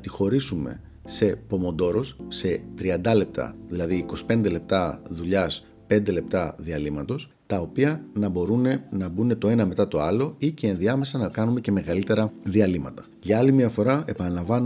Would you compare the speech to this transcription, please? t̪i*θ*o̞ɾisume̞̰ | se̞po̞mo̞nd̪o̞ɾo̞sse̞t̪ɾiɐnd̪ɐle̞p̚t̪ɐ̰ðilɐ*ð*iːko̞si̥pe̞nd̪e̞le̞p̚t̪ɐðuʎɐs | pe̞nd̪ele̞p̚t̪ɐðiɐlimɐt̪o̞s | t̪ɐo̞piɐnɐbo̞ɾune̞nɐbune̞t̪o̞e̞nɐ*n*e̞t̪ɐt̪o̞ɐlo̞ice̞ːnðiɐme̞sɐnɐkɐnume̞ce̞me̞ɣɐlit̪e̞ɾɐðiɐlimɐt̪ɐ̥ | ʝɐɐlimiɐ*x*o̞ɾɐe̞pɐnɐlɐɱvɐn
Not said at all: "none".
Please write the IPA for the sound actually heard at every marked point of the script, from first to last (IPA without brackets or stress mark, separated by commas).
x, ð, m, f